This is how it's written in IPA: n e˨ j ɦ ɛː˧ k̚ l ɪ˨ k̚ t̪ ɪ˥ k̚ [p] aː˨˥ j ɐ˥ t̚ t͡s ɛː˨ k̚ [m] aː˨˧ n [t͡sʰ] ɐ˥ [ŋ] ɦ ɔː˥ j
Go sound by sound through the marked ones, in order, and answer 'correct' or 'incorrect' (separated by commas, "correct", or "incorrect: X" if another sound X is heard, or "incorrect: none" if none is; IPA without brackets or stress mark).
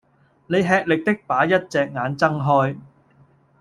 correct, incorrect: ŋ, incorrect: t͡s, correct